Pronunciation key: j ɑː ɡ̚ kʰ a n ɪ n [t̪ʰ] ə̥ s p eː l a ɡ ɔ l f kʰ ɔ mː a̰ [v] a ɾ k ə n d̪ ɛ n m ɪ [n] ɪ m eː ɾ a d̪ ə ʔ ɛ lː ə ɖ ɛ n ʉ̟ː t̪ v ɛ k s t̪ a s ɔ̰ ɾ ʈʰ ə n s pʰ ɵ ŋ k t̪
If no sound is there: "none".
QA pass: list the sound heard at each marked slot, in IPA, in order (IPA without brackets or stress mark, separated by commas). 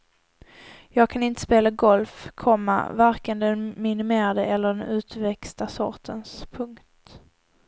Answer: t̪, v, n